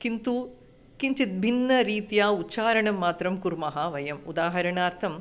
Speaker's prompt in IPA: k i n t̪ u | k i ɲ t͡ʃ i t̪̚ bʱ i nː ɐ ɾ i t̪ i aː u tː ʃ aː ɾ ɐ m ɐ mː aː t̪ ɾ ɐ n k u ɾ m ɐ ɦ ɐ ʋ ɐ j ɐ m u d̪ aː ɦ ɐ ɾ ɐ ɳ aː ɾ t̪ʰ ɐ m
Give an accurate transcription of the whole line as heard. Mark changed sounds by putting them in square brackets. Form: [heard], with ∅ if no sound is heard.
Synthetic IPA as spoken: k i n t̪ u | k i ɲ t͡ʃ i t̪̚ bʱ i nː ɐ ɾ [iː] t̪ [j] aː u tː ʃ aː ɾ ɐ [ɳ] ɐ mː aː t̪ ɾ ɐ [m] k u ɾ m ɐ ɦ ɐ ʋ ɐ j ɐ m u d̪ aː ɦ ɐ ɾ ɐ ɳ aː ɾ t̪ʰ ɐ m